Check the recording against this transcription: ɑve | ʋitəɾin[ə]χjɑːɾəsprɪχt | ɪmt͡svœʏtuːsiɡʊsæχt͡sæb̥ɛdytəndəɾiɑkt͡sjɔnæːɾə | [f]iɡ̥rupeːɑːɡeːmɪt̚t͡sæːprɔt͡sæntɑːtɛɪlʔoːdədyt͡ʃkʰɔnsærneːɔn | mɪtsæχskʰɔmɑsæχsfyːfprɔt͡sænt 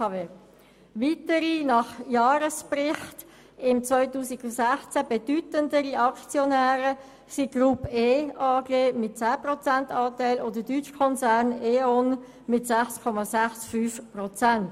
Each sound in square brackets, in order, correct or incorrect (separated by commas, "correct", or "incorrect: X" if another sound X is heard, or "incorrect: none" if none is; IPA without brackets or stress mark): incorrect: ɑ, incorrect: s